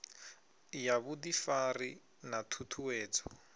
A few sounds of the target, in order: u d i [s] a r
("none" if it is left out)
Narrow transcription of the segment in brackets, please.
f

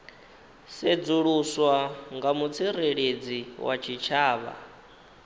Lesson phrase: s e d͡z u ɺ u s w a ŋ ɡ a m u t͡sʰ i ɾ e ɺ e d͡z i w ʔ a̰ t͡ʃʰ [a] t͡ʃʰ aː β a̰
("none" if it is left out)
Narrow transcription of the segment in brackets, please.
i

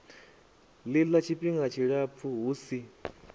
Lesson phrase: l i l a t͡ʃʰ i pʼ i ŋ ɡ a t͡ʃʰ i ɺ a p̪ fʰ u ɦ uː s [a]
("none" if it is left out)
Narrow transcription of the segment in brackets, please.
i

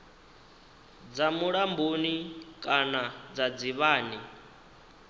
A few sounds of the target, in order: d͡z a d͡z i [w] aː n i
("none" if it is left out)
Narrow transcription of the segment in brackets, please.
β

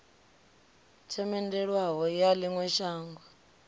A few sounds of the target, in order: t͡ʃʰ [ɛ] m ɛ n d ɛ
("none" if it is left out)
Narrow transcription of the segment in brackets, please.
ɛ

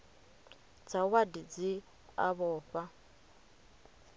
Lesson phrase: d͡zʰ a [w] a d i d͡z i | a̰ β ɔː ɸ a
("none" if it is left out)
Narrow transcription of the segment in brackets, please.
w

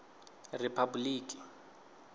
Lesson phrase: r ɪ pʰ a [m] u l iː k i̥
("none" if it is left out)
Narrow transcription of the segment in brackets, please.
b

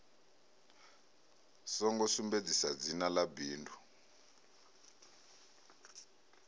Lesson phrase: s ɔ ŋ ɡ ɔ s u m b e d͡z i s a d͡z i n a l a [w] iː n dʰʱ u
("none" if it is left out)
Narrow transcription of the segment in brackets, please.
b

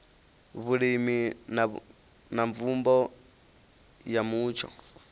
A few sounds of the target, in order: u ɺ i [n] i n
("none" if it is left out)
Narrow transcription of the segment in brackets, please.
m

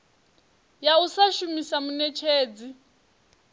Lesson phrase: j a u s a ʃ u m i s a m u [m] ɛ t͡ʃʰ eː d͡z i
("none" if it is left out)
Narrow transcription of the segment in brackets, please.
n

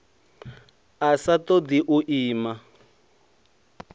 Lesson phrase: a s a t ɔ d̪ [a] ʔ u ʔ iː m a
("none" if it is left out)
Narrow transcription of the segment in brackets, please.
i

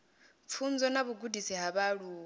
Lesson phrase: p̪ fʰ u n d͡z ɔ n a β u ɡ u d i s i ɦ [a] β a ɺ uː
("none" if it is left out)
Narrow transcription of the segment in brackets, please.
a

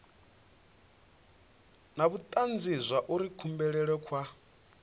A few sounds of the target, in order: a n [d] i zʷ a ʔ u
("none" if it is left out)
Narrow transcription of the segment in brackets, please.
d͡z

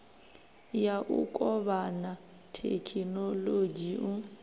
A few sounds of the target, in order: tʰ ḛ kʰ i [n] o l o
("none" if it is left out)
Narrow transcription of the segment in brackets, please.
n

